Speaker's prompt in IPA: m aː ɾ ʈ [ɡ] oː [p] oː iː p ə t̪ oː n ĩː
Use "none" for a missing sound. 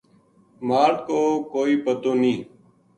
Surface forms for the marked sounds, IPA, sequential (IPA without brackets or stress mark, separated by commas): k, k